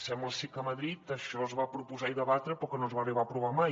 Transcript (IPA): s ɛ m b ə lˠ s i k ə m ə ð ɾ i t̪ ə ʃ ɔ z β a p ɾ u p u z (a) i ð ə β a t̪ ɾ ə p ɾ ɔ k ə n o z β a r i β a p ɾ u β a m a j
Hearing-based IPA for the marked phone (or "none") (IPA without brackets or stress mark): a